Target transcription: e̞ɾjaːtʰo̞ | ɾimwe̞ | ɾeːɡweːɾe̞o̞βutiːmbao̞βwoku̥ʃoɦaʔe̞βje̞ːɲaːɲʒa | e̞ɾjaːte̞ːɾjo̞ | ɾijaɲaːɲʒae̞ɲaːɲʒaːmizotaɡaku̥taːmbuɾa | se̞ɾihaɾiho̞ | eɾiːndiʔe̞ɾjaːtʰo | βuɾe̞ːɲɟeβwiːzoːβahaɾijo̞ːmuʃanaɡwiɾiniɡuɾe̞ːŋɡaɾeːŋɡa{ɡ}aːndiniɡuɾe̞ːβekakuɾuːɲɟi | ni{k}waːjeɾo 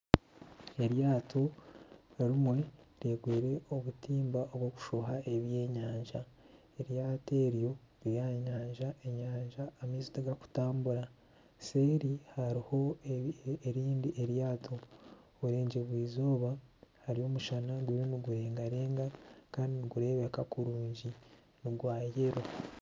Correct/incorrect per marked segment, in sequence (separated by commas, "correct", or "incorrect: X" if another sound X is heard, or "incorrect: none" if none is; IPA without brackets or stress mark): incorrect: k, incorrect: ɡ